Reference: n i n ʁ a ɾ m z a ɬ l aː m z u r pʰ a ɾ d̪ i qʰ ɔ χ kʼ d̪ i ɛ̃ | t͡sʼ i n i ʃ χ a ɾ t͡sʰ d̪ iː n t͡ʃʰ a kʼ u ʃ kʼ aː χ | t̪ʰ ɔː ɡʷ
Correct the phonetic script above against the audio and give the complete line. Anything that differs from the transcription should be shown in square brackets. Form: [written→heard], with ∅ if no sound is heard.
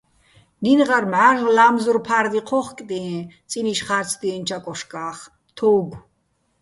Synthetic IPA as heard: n i n ʁ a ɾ m [z→ʕ] a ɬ l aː m z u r pʰ a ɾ d̪ i qʰ ɔ χ kʼ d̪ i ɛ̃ | t͡sʼ i n i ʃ χ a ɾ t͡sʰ d̪ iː n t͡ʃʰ a kʼ [u→ɔ] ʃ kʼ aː χ | t̪ʰ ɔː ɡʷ